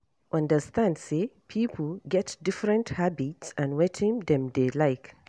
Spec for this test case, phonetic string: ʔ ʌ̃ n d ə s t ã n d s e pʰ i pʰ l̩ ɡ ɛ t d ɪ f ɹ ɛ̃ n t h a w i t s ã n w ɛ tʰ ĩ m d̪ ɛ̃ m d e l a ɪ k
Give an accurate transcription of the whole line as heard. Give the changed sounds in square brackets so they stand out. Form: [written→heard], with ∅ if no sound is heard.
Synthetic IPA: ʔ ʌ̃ n d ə s t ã n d s e pʰ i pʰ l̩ ɡ ɛ t d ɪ f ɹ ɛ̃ n t h a [w→b] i t s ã n w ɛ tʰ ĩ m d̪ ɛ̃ m d e l a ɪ k